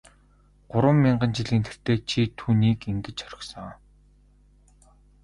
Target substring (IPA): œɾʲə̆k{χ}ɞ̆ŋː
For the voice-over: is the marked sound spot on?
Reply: no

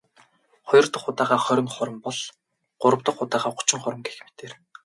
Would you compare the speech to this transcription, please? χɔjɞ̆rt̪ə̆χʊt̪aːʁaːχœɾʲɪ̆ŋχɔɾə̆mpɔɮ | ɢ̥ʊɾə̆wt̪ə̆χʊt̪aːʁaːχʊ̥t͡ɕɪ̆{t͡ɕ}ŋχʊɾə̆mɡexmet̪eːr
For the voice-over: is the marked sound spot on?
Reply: no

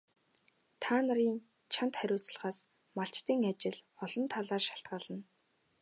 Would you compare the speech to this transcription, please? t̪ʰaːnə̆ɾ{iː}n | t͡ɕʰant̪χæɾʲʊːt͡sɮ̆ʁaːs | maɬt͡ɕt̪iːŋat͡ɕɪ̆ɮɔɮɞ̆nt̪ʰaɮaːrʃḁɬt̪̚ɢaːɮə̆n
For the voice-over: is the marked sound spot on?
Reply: yes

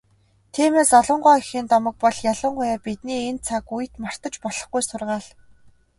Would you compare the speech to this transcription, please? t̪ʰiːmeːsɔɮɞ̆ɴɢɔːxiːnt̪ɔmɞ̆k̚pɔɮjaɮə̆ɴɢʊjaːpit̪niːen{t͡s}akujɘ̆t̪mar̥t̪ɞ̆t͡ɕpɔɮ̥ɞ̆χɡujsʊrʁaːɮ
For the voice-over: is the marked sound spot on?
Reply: no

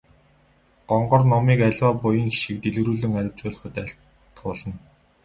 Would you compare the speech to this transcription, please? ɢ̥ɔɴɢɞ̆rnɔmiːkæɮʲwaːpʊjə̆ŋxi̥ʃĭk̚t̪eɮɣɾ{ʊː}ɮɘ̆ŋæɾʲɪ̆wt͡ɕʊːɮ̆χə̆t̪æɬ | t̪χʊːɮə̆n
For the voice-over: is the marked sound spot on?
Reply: no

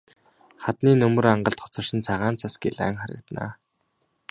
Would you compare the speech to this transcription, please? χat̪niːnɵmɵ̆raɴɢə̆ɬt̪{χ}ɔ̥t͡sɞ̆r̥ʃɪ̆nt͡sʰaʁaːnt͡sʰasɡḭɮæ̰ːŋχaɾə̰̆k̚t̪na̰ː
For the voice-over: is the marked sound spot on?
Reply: yes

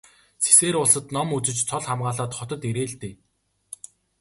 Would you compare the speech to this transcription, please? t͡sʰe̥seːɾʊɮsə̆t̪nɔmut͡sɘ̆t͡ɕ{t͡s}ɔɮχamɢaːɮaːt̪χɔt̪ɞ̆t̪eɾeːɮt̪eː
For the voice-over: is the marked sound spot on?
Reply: no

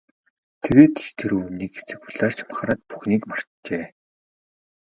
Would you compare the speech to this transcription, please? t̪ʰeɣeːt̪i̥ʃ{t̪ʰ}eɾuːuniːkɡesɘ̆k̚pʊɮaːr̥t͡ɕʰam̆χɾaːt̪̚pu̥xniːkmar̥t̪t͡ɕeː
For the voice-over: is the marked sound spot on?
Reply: yes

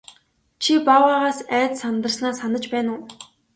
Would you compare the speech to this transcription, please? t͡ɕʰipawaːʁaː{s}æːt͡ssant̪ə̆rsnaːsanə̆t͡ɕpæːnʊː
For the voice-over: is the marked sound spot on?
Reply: yes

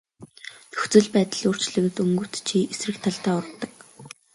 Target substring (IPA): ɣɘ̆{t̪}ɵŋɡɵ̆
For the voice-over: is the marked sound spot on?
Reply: yes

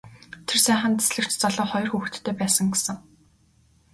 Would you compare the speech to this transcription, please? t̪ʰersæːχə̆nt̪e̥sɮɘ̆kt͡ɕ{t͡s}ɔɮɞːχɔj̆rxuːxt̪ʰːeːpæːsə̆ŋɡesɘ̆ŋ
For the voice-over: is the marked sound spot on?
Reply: yes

